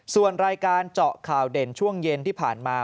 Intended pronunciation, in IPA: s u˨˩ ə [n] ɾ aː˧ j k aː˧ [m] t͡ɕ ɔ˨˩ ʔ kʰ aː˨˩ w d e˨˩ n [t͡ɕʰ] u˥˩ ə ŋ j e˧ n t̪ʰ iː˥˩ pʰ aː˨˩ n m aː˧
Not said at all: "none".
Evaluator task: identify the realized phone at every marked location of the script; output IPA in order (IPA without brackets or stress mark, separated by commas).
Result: n, n, t͡ɕʰ